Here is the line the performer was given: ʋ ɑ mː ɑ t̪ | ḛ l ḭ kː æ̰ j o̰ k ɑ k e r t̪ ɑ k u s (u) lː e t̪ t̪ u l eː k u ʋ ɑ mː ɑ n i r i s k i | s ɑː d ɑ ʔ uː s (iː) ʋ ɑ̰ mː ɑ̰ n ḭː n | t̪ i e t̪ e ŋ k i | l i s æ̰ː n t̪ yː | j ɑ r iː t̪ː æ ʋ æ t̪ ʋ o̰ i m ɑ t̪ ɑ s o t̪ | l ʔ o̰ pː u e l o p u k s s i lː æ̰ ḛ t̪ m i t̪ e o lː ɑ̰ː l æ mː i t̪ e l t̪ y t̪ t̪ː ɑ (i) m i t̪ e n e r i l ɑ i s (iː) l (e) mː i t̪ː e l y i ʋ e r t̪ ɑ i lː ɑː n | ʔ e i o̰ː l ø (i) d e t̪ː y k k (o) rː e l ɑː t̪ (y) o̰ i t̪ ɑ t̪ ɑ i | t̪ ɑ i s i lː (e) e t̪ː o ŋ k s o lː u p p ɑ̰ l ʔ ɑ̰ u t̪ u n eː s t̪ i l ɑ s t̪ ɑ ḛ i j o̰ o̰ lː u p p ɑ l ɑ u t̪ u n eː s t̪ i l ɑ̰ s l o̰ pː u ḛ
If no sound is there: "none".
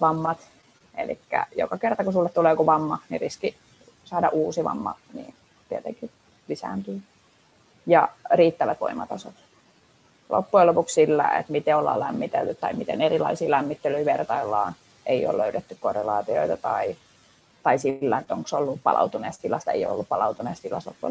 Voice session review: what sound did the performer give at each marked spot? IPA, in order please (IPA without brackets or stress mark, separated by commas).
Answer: u, i, i, iː, æ, y, o, i, æ